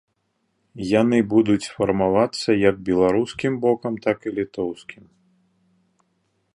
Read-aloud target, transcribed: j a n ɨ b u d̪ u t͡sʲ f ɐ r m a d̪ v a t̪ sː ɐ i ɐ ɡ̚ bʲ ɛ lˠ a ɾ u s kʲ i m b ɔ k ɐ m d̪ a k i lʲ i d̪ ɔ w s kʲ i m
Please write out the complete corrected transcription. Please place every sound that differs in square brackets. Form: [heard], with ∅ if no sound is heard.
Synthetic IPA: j a n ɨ b u d̪ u t͡sʲ f ɐ r m a [∅] v a t̪ sː ɐ [j] ɐ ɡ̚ bʲ ɛ lˠ a ɾ u s kʲ i m b ɔ k ɐ m [t̪] a k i lʲ i [t̪] ɔ w s kʲ i m

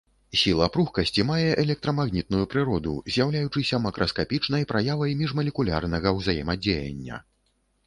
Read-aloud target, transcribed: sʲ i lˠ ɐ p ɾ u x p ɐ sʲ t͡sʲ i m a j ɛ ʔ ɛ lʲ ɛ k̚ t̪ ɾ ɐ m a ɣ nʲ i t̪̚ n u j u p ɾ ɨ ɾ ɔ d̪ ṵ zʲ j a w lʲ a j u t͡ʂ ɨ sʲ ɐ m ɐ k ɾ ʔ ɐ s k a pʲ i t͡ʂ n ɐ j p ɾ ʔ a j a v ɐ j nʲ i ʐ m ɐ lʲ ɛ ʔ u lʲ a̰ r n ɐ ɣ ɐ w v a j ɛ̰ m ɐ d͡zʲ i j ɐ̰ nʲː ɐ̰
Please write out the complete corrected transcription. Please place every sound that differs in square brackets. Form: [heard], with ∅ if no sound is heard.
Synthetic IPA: sʲ i lˠ ɐ p ɾ u x [k] ɐ sʲ t͡sʲ i m a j ɛ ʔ ɛ lʲ ɛ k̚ t̪ ɾ ɐ m a ɣ nʲ i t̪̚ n u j u p ɾ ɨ ɾ ɔ d̪ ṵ zʲ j a w lʲ a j u t͡ʂ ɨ sʲ ɐ m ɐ k ɾ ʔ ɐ s k a pʲ i t͡ʂ n ɐ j p ɾ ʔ a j a v ɐ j [mʲ] i ʐ m ɐ lʲ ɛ [k] u lʲ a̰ r n ɐ ɣ ɐ w [z] a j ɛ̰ m ɐ d͡zʲ [e] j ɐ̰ nʲː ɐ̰

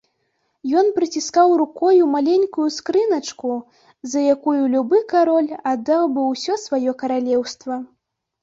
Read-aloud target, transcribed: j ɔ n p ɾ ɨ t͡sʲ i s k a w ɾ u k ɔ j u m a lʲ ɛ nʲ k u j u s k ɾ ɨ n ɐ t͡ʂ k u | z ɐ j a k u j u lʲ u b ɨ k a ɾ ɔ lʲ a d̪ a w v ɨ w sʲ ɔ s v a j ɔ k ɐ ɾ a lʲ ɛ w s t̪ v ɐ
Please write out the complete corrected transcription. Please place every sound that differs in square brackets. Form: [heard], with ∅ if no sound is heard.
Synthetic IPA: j ɔ n p ɾ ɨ t͡sʲ i s k a w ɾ u k ɔ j u m a lʲ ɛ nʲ k u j u s k ɾ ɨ n ɐ t͡ʂ k u | z ɐ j a k u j u lʲ u b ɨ k a ɾ ɔ lʲ a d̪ a w [b] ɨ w sʲ ɔ s v a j ɔ k ɐ ɾ a lʲ ɛ w s t̪ v ɐ

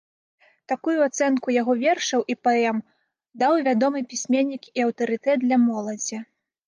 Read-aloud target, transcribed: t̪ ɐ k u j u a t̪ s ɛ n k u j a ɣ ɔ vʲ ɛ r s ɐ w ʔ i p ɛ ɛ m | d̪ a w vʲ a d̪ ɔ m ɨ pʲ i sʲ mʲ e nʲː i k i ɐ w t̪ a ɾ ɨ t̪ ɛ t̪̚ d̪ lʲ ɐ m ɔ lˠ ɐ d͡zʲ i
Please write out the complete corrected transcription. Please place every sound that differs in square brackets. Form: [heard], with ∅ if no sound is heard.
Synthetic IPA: t̪ [a] k u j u a t̪ s ɛ n k u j a ɣ ɔ vʲ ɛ r [ʂ] ɐ w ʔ i p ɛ ɛ m | d̪ a w vʲ a d̪ ɔ m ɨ pʲ i sʲ mʲ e nʲː i k i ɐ w t̪ [ɐ] ɾ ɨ t̪ ɛ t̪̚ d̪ lʲ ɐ m ɔ lˠ ɐ d͡zʲ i

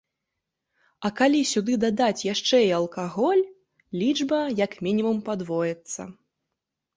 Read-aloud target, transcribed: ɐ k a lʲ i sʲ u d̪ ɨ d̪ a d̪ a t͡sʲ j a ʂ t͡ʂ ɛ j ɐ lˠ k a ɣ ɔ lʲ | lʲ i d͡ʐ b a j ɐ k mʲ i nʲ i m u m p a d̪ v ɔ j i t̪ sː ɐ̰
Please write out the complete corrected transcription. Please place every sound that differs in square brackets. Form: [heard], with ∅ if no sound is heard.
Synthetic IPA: ɐ k a lʲ i sʲ u d̪ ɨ d̪ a d̪ a t͡sʲ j a ʂ t͡ʂ ɛ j ɐ lˠ k a ɣ ɔ lʲ | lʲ i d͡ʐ b [ɐ] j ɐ k mʲ i nʲ i m u m p a d̪ v ɔ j [ɛ] t̪ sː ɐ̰

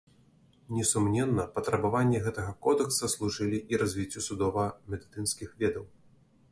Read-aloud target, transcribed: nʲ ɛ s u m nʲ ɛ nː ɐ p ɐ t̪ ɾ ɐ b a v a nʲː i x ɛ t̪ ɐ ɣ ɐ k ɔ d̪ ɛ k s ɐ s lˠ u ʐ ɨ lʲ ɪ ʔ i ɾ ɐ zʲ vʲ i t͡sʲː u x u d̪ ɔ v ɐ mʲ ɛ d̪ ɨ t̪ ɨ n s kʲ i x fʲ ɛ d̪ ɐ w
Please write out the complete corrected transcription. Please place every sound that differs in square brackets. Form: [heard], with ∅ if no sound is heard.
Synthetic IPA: nʲ ɛ s u m nʲ ɛ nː ɐ p ɐ t̪ ɾ ɐ b a v a nʲː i [ɣ] ɛ t̪ ɐ ɣ ɐ k ɔ d̪ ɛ k s ɐ s lˠ u ʐ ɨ lʲ [i] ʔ i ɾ ɐ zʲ vʲ i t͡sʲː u [s] u d̪ ɔ v ɐ mʲ ɛ d̪ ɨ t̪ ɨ n s kʲ i x [vʲ] ɛ d̪ ɐ w

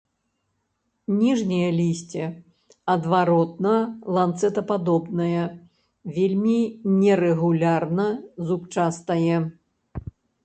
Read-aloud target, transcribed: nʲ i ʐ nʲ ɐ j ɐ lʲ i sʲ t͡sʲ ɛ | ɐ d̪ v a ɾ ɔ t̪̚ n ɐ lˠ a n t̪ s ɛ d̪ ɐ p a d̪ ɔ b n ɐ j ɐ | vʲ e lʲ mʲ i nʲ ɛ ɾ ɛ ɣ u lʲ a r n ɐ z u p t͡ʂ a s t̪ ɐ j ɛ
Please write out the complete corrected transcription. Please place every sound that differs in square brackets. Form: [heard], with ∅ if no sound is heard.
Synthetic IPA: nʲ i ʐ nʲ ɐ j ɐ lʲ i sʲ t͡sʲ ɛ | ɐ d̪ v a ɾ ɔ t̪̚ n ɐ lˠ a n t̪ s ɛ [t̪] ɐ p a d̪ ɔ b n ɐ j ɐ | vʲ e lʲ mʲ i nʲ ɛ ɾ ɛ ɣ u lʲ a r n ɐ z u p t͡ʂ a s t̪ ɐ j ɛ

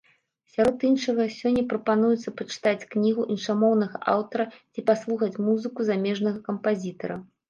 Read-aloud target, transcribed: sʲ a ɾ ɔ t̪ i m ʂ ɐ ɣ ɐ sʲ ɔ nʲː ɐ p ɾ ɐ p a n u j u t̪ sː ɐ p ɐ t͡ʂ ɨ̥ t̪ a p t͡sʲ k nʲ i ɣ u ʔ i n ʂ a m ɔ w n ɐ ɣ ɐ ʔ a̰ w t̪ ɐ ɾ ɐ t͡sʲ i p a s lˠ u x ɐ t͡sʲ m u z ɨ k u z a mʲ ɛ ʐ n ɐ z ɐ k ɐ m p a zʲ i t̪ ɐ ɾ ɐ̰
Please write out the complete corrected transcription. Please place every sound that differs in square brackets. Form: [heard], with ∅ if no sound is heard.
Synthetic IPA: sʲ a ɾ ɔ t̪ i [n] ʂ ɐ ɣ ɐ sʲ ɔ nʲː ɐ p ɾ ɐ p a n u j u t̪ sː ɐ p ɐ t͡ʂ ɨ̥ t̪ a [∅] t͡sʲ k nʲ i ɣ u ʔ i n ʂ a m ɔ w n ɐ ɣ ɐ ʔ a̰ w t̪ ɐ ɾ ɐ t͡sʲ i p a s lˠ u x ɐ t͡sʲ m u z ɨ k u z a mʲ ɛ ʐ n ɐ [ɣ] ɐ k ɐ m p a zʲ i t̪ ɐ ɾ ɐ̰

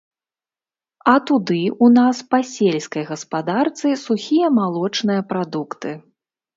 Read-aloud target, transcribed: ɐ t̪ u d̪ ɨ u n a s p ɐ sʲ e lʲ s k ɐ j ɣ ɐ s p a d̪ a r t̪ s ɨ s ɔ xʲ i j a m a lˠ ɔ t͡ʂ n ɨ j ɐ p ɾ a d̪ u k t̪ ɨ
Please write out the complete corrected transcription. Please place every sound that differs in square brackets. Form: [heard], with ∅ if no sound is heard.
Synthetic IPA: ɐ t̪ u d̪ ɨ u n a s p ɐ sʲ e lʲ s k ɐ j ɣ ɐ s p a d̪ a r t̪ s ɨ s [u] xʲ i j [ɐ] m a lˠ ɔ t͡ʂ n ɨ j ɐ p ɾ a d̪ u k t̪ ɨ

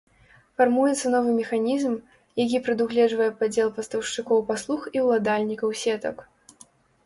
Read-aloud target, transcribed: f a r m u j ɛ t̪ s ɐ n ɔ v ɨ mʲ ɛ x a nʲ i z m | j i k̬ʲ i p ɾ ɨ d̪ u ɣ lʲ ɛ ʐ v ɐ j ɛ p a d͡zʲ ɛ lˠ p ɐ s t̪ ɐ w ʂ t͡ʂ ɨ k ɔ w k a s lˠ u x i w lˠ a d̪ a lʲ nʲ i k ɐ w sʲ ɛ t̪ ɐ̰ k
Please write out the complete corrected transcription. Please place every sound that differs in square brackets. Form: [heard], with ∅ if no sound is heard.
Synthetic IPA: f a r m u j ɛ t̪ s ɐ n ɔ v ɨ mʲ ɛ x a nʲ i z m | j [a] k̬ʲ i p ɾ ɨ d̪ u ɣ lʲ ɛ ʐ v ɐ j ɛ p a d͡zʲ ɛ lˠ p ɐ s t̪ ɐ w ʂ t͡ʂ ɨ k ɔ w [p] a s lˠ u x i w lˠ a d̪ a lʲ nʲ i k ɐ w sʲ ɛ t̪ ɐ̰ k

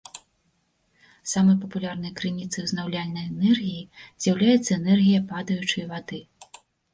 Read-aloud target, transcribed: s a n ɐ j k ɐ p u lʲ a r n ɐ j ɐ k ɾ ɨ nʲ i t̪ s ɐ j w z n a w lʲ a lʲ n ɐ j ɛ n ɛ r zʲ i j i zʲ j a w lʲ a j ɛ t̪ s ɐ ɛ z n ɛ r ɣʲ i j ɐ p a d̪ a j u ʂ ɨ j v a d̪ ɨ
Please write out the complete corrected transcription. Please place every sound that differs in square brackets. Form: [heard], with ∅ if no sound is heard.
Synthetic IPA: s a [m] ɐ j [p] ɐ p u lʲ a r n ɐ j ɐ k ɾ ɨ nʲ i t̪ s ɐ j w z n a w lʲ a lʲ n ɐ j ɛ n ɛ r [ɣʲ] i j i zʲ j a w lʲ a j ɛ t̪ [sː] ɐ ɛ [∅] n ɛ r ɣʲ i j ɐ p a d̪ [ɐ] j u [t͡ʂ] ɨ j v a d̪ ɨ

